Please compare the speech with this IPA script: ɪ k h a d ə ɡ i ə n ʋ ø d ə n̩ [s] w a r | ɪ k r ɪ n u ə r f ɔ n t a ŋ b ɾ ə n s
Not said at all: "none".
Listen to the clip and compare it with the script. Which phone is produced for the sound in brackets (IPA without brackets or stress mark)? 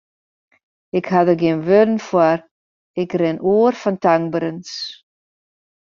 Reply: f